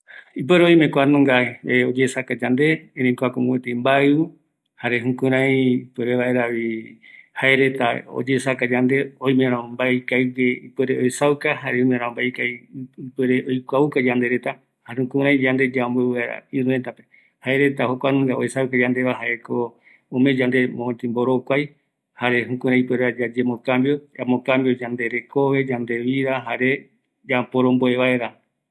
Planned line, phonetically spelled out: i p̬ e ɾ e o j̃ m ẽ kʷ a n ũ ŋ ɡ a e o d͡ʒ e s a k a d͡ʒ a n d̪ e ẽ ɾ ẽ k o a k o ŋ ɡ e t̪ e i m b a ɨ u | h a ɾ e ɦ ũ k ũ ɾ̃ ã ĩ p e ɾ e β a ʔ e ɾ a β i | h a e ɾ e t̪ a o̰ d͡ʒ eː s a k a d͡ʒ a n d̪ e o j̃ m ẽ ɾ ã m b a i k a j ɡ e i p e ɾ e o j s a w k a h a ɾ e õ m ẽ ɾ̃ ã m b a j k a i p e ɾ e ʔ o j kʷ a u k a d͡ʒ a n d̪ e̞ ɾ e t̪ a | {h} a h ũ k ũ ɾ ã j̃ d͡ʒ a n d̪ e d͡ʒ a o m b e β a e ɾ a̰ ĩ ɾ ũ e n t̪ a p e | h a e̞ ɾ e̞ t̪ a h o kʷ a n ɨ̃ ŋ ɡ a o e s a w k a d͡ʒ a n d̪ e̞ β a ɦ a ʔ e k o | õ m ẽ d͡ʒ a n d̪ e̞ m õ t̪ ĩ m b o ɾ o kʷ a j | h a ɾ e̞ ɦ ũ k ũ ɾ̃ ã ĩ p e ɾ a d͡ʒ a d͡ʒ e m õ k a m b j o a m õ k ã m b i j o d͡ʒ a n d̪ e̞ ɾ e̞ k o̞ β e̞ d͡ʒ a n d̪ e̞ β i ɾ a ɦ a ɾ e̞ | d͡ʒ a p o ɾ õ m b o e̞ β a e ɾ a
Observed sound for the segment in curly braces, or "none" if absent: h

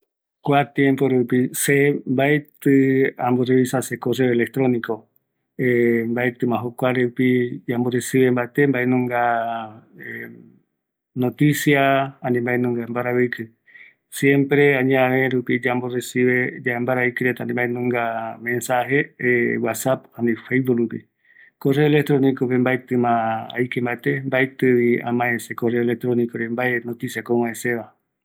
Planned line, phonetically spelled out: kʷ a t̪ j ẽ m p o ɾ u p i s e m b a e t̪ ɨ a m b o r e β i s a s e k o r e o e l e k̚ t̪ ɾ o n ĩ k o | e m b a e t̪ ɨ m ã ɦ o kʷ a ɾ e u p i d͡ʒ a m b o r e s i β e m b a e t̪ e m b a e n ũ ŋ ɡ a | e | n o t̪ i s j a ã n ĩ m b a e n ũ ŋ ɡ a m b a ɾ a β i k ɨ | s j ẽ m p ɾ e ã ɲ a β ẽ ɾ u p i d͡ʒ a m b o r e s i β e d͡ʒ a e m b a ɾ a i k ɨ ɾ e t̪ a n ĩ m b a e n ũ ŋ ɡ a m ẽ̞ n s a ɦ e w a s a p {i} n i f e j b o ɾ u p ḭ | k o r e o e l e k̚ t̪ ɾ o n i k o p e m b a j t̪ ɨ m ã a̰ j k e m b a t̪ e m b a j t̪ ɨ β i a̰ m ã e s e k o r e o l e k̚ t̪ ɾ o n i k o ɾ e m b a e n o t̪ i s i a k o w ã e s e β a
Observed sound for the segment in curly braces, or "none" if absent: a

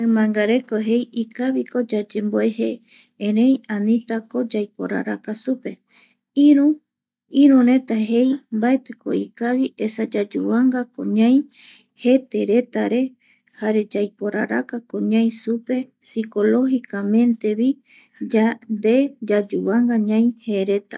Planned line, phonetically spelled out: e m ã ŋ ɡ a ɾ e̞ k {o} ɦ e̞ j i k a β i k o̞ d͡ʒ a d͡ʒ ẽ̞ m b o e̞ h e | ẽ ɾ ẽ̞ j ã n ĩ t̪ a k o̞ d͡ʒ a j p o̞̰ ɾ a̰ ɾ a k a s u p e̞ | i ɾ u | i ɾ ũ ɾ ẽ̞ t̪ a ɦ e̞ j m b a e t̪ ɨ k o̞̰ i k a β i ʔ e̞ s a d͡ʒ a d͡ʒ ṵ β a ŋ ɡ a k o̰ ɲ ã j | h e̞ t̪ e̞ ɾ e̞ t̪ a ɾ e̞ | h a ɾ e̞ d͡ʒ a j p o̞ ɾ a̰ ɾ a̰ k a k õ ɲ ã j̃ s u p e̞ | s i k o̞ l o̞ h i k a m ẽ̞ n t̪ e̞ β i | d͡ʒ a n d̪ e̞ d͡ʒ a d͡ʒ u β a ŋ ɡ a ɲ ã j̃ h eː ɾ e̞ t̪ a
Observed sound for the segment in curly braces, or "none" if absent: o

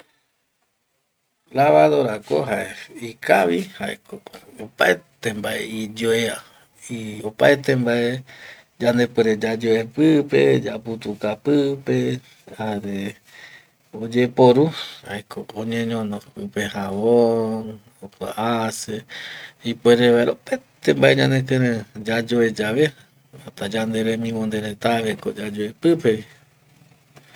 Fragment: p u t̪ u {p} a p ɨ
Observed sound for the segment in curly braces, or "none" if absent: k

